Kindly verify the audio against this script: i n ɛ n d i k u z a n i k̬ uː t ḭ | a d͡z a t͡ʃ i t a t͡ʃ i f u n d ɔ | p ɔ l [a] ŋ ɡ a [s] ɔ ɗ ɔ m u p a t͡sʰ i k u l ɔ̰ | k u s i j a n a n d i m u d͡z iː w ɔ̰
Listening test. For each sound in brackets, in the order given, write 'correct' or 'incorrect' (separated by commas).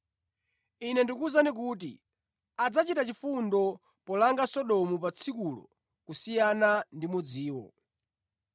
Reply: correct, correct